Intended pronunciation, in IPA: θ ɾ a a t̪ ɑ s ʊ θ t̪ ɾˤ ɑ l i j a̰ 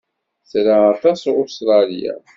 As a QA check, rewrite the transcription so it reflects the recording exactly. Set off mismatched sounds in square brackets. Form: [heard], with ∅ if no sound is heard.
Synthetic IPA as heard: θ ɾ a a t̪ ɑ s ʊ [s] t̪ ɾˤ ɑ l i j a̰